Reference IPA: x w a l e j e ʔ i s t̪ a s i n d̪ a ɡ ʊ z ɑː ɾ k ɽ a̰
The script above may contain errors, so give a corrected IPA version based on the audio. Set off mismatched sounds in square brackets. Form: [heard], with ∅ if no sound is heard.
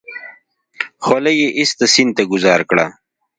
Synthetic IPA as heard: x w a l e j e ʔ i s t̪ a s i n [t̪] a ɡ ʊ z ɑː ɾ k ɽ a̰